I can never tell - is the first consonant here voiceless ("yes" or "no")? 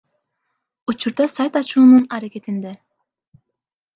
yes